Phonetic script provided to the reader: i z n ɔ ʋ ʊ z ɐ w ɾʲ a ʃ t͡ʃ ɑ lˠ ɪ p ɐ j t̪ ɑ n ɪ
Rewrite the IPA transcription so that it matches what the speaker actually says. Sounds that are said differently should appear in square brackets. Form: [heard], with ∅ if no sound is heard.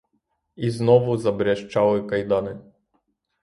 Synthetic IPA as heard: i z n ɔ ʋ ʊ z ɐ [b] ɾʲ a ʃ t͡ʃ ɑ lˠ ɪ [k] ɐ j [d̪] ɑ n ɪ